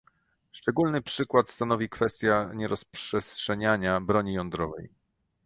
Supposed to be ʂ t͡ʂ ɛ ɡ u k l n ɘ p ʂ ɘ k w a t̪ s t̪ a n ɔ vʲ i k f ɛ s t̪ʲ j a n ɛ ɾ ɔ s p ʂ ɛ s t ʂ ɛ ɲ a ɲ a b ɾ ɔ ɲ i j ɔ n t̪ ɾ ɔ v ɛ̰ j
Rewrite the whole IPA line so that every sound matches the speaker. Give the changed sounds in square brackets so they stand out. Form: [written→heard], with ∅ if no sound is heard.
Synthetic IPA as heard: ʂ t͡ʂ ɛ ɡ u [k→∅] l n ɘ p ʂ ɘ k w a t̪ s t̪ a n ɔ vʲ i k f ɛ s t̪ʲ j a [n→ɲ] ɛ ɾ ɔ s p ʂ ɛ s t ʂ ɛ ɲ a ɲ a b ɾ ɔ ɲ i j ɔ n [t̪→d̪] ɾ ɔ v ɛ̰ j